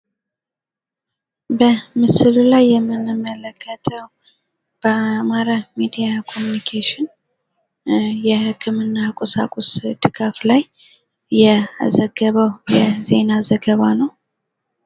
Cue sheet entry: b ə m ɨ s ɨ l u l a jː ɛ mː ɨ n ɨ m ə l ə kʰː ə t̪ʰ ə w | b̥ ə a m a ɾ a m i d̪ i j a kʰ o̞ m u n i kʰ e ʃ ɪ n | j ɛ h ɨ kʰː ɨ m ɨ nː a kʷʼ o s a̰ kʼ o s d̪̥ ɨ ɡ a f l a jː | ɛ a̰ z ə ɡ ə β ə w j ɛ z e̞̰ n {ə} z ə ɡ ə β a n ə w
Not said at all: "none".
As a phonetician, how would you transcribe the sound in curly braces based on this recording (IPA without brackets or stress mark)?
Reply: a